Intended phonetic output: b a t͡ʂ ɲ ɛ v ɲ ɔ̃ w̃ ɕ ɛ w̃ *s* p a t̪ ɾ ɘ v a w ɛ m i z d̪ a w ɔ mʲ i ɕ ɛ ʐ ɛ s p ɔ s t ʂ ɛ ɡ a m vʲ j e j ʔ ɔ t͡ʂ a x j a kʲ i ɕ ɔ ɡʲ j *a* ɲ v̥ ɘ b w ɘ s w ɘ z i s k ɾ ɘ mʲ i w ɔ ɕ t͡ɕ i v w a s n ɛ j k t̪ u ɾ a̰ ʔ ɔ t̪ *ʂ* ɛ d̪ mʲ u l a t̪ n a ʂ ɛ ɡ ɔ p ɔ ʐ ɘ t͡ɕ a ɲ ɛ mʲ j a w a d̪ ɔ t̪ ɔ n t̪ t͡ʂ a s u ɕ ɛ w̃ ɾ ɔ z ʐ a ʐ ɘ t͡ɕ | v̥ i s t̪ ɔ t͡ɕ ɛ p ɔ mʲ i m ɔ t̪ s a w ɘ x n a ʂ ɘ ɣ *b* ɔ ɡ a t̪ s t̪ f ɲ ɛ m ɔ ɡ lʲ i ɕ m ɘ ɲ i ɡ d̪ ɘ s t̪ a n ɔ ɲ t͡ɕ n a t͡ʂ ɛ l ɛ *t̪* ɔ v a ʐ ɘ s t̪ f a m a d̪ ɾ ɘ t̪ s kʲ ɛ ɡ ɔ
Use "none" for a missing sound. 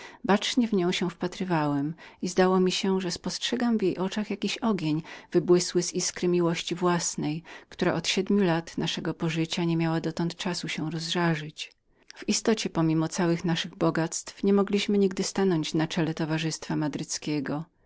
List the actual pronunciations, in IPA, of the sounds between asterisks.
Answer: f, e, ɕ, b, t̪

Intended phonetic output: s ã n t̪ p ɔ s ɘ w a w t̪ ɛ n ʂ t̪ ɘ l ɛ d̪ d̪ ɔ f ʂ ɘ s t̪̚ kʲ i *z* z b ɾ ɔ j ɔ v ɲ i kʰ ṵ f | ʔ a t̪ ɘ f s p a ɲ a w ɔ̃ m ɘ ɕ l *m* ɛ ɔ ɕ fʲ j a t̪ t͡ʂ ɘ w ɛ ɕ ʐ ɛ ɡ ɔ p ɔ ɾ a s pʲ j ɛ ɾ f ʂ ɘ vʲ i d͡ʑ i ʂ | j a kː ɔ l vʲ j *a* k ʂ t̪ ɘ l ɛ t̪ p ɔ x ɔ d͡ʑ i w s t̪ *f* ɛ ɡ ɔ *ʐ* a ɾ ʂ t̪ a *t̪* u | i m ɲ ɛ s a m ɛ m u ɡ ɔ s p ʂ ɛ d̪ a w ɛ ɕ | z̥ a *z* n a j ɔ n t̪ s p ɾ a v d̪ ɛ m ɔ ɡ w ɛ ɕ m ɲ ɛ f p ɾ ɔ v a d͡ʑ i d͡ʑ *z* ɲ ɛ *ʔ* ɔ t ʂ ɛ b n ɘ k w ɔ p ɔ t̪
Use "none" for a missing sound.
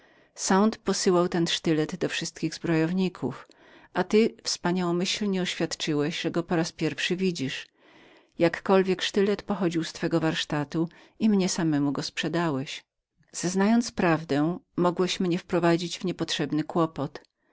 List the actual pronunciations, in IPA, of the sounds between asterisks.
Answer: ɣ, ɲ, ɛ, f, v, t̪, z, v, p

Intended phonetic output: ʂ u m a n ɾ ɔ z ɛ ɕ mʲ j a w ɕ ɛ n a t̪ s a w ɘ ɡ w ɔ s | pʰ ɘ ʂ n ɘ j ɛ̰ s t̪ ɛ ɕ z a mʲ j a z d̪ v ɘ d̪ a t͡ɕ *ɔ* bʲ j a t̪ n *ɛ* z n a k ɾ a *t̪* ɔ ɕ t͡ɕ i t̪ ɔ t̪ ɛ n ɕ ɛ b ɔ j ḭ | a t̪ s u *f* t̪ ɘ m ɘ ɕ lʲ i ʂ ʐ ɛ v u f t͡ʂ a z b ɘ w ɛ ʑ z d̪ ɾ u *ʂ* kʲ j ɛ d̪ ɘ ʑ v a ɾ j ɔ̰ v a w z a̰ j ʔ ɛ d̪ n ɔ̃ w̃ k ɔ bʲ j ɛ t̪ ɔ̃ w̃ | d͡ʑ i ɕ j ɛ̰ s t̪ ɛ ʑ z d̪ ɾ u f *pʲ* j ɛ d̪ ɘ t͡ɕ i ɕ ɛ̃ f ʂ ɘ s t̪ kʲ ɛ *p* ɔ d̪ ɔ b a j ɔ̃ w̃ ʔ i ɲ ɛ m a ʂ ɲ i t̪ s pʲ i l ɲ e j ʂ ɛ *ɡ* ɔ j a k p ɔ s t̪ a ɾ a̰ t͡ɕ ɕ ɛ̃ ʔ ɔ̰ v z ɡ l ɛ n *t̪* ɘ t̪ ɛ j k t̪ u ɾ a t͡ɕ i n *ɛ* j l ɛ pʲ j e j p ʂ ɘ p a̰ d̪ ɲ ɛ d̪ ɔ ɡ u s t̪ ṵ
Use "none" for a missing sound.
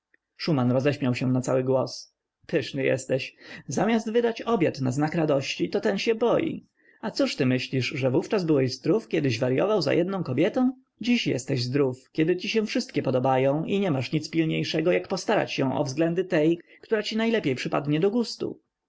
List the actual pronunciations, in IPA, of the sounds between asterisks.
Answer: ɔ, a, d̪, ʂ, f, kʲ, p, ɡ, d̪, a

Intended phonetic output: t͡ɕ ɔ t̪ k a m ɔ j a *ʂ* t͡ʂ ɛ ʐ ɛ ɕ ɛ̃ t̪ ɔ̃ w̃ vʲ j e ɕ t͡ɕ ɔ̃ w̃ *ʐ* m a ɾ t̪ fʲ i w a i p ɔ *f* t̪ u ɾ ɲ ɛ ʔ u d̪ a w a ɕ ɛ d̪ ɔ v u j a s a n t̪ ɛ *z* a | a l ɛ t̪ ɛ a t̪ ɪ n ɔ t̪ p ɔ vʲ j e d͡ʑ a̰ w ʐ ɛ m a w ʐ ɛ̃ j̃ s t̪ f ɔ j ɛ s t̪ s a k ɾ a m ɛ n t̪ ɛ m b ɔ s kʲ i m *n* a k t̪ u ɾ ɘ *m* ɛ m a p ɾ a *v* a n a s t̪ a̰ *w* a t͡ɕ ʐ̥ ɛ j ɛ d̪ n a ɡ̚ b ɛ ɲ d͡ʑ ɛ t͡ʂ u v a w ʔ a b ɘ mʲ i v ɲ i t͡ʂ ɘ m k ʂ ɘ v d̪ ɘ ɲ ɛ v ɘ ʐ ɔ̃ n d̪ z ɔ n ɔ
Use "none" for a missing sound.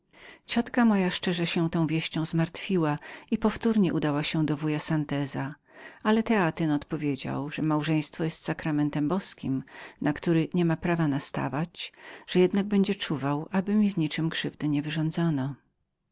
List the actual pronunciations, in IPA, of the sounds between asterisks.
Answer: ʂ, z, f, z, n, ɲ, v, v

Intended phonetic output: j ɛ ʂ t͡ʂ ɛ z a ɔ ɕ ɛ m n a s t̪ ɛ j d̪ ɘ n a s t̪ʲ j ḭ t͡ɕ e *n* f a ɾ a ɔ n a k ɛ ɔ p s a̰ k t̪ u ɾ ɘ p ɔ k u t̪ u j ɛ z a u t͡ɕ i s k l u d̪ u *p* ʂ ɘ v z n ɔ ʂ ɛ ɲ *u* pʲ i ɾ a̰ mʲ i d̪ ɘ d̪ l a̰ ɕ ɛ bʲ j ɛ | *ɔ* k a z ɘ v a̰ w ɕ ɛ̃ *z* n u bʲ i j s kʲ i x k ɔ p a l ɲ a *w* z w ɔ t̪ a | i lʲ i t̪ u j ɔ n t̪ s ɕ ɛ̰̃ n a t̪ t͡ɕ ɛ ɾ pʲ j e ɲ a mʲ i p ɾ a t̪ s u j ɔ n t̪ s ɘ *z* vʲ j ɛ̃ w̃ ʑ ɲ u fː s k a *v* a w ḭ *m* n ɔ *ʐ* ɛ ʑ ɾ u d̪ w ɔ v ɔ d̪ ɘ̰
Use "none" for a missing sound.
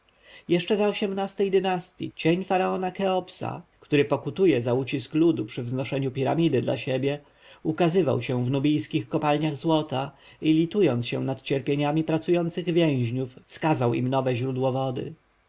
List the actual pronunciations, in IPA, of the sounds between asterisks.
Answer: ɲ, p, u, u, v, ɣ, ɣ, z, m, v

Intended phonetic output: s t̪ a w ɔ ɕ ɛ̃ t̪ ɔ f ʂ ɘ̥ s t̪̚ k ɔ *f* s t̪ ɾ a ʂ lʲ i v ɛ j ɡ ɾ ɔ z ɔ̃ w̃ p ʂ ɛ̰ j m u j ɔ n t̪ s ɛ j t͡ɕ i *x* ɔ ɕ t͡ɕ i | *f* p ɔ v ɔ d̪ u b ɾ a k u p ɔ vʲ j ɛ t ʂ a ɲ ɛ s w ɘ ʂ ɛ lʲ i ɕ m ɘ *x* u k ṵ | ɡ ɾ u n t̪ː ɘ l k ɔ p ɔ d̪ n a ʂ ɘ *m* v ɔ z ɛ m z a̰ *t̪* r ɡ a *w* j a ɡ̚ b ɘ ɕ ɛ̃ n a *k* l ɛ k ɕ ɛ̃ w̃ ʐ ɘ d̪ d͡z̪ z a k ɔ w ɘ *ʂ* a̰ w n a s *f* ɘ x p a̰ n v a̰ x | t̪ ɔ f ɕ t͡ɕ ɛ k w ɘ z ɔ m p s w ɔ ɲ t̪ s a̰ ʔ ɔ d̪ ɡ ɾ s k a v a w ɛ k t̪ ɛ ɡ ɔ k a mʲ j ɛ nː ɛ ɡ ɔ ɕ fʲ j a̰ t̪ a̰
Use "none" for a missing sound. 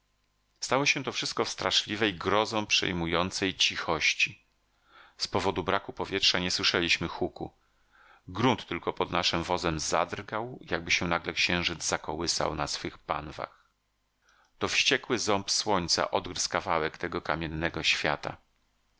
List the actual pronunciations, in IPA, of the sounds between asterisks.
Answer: f, x, s, x, m, d̪, w, ɡ, s, f

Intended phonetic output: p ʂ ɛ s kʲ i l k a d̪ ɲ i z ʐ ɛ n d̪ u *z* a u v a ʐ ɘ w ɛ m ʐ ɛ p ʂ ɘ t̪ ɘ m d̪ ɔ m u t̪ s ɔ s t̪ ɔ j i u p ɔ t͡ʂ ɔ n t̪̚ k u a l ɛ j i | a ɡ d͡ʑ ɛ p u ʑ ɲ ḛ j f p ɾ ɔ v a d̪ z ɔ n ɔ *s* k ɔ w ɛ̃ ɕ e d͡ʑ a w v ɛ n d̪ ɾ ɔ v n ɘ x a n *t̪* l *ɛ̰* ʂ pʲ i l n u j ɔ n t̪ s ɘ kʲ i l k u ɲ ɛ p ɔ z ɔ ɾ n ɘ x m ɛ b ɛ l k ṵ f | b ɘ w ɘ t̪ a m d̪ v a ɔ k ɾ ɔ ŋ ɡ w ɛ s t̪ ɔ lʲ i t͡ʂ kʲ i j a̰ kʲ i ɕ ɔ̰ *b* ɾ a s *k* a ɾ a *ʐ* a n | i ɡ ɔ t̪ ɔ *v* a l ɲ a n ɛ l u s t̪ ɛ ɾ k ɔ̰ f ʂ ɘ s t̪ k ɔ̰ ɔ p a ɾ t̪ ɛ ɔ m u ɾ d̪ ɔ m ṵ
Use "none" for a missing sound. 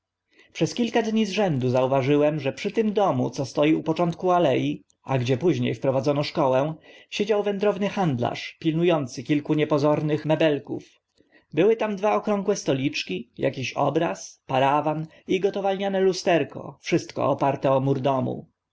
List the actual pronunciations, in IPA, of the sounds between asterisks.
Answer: z, ʂ, d̪, a̰, b, p, v, v

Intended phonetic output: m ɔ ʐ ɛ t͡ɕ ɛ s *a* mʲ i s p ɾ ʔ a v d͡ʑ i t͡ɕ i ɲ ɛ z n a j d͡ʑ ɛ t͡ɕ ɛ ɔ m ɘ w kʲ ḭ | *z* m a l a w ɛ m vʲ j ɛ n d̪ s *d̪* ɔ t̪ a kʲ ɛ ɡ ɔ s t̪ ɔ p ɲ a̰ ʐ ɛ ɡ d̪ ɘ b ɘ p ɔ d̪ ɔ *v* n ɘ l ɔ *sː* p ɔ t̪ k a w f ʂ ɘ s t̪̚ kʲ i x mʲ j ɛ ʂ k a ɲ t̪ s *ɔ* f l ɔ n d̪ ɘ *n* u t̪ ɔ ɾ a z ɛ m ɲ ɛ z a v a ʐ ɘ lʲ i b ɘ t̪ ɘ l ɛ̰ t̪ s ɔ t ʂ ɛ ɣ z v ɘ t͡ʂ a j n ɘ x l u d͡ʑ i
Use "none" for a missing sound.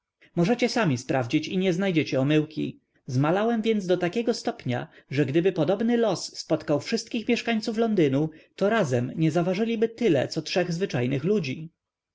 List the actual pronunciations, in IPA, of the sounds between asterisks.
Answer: a, z, d̪, b, sː, u, n

